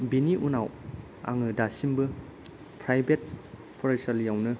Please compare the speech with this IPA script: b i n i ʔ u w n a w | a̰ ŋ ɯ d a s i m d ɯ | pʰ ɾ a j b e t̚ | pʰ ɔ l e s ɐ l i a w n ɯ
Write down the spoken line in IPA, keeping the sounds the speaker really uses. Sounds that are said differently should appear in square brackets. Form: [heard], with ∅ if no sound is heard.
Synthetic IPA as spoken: b i n i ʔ u [∅] n a w | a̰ ŋ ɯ d a s i m [b] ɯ | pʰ ɾ a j b e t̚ | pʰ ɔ [ɾ] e s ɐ l [j] a w n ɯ